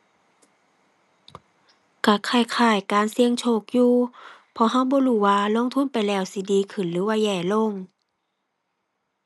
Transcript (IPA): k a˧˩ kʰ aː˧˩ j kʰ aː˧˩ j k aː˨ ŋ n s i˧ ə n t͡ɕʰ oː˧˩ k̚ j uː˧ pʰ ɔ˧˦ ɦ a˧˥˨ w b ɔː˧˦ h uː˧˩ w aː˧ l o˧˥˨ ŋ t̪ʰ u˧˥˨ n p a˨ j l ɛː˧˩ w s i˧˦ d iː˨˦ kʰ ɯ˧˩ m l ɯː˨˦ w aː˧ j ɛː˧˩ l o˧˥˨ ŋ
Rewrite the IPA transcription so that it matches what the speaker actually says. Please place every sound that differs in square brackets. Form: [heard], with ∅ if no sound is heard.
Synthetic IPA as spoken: k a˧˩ kʰ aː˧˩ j kʰ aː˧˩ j k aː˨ [∅] n s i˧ ə [ŋ] t͡ɕʰ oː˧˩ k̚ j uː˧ pʰ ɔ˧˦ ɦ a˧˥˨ w b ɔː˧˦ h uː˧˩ w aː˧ l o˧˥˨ ŋ t̪ʰ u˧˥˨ n p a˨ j l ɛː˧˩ w s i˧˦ d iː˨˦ kʰ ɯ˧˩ [n] l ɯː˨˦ w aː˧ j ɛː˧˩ l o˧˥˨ ŋ